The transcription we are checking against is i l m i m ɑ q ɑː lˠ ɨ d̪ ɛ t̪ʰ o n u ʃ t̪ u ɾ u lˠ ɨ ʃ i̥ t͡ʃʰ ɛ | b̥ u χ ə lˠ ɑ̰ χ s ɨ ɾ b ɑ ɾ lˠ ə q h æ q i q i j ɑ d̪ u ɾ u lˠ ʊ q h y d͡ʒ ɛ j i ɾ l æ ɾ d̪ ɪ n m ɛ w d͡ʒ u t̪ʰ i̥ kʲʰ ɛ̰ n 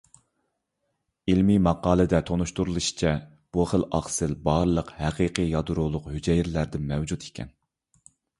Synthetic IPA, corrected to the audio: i l m i m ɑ q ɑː lˠ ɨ d̪ ɛ t̪ʰ o n u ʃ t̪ u ɾ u lˠ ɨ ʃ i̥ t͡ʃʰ ɛ | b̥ u χ ə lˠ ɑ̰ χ s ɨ l b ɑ ɾ lˠ ə q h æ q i q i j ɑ d̪ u ɾ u lˠ ʊ q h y d͡ʒ ɛ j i ɾ l æ ɾ d̪ ɪ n m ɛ w d͡ʒ u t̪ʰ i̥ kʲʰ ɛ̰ n